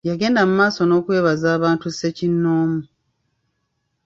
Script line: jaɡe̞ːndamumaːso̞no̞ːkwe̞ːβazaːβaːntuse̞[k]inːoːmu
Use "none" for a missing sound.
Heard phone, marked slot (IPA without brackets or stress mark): c